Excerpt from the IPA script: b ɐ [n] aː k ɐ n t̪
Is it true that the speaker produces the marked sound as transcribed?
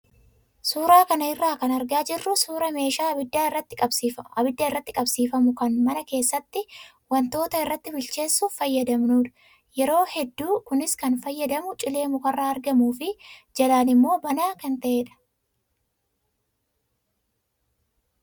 yes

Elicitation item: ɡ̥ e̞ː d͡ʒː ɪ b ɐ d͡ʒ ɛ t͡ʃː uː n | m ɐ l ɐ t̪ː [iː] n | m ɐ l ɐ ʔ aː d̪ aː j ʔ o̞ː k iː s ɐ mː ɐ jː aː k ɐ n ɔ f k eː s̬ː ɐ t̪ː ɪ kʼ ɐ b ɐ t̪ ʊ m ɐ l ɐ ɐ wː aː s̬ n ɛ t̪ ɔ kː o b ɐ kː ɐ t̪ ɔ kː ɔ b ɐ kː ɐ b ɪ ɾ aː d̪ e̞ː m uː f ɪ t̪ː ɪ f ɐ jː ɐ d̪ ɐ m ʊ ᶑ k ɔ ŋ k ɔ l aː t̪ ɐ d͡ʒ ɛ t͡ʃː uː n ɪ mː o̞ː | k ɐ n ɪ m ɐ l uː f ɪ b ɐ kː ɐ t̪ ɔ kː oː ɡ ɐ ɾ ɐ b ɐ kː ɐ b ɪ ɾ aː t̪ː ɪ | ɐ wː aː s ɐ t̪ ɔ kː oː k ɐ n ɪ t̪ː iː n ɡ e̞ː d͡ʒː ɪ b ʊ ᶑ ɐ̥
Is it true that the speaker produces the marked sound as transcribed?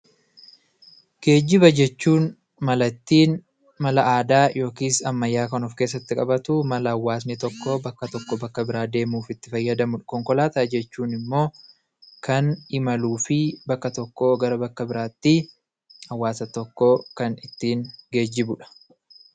yes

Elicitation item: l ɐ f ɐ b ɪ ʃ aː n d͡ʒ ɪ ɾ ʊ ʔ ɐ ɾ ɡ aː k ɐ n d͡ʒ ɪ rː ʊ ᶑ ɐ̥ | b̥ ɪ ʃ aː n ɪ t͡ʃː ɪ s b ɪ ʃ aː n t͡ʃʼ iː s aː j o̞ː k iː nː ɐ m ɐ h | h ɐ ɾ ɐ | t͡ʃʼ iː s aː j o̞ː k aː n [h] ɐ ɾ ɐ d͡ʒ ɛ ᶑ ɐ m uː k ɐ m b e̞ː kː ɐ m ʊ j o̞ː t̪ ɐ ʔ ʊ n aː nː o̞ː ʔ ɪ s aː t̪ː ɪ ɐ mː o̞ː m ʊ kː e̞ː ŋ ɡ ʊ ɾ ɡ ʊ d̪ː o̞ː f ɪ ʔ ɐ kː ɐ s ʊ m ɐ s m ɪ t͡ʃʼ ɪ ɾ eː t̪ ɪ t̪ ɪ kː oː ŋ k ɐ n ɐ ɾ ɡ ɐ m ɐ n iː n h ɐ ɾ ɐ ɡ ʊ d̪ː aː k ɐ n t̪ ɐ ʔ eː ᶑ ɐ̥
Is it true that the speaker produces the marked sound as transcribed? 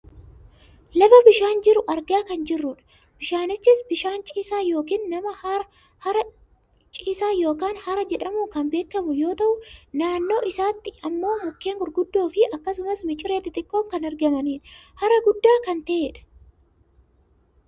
yes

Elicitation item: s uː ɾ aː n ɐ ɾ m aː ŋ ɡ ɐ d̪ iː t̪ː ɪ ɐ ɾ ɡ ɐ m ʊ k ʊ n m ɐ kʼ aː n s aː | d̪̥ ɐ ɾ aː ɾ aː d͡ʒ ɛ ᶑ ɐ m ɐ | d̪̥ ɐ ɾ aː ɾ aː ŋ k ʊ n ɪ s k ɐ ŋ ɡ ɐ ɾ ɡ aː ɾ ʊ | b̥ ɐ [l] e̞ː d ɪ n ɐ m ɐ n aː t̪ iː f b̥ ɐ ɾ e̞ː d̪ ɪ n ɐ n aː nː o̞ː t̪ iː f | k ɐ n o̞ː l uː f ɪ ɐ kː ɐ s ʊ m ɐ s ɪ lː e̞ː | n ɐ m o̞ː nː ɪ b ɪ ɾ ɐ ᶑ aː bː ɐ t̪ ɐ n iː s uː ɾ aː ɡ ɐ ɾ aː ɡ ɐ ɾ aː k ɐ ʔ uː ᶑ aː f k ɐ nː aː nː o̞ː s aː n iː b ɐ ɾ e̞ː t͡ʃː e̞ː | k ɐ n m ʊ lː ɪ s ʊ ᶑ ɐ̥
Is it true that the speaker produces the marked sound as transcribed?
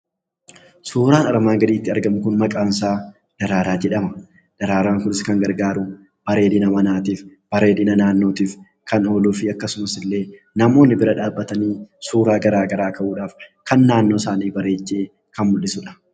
no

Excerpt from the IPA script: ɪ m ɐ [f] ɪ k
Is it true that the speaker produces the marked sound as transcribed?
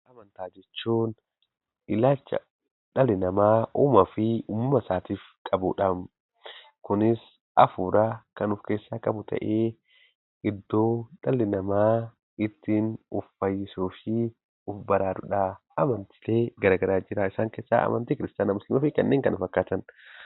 yes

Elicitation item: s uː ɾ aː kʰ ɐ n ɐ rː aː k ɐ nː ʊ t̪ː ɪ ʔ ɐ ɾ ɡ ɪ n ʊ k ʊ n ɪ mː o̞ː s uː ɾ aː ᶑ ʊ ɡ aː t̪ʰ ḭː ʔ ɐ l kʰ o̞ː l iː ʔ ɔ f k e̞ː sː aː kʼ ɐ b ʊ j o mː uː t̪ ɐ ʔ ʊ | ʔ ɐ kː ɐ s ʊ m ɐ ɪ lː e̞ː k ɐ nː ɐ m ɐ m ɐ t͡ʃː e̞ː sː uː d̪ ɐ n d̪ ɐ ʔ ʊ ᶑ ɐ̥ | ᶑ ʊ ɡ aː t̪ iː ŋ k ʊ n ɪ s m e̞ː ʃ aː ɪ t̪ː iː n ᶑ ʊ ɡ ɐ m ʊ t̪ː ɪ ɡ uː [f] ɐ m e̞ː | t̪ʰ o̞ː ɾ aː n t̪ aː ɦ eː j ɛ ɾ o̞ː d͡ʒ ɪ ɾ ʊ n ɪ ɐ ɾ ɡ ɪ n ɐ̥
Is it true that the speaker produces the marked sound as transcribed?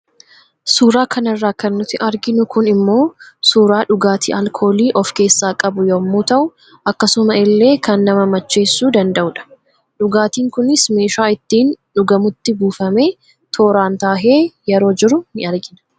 yes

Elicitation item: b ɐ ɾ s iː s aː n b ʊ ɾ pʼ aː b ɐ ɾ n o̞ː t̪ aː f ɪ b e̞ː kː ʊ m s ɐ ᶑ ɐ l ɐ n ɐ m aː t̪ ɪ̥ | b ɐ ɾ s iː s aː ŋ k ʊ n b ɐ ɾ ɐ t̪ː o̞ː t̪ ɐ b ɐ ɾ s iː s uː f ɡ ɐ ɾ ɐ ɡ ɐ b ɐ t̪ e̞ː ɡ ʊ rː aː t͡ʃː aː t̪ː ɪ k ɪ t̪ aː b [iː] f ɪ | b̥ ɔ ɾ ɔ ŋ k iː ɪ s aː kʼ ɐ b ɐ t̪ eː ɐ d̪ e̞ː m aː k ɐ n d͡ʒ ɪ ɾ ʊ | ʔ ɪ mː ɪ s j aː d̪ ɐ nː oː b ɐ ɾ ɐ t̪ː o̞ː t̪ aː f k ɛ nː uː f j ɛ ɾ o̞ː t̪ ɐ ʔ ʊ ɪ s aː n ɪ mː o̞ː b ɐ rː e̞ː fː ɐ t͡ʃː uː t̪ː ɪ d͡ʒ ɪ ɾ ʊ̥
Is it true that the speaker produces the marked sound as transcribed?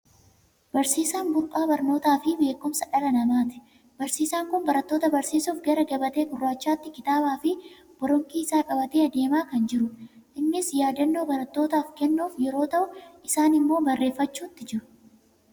no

